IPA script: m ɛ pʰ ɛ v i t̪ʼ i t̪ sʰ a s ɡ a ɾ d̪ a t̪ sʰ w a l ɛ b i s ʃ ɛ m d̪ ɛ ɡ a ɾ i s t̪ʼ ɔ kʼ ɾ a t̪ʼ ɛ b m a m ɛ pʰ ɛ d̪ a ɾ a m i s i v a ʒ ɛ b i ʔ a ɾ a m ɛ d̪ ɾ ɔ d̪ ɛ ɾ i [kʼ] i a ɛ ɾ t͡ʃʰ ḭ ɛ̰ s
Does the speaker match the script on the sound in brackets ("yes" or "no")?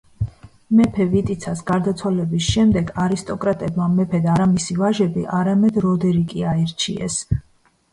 yes